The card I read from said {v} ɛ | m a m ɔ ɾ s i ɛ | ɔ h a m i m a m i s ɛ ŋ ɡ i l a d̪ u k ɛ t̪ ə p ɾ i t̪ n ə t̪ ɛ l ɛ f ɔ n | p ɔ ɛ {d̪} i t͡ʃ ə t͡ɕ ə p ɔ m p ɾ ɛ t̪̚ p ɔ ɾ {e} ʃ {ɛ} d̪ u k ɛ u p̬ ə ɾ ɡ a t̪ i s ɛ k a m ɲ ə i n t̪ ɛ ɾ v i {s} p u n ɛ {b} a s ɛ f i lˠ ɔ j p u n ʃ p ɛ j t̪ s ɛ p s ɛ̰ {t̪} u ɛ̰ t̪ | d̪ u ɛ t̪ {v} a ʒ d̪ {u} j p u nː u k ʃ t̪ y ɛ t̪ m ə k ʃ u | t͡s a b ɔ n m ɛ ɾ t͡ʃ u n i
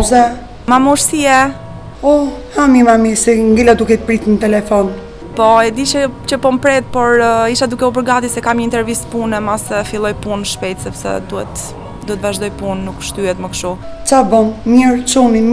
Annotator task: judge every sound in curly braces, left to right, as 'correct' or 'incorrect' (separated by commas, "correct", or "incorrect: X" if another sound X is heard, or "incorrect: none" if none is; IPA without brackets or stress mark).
incorrect: z, correct, incorrect: i, incorrect: a, correct, incorrect: m, incorrect: d̪, correct, incorrect: ɔ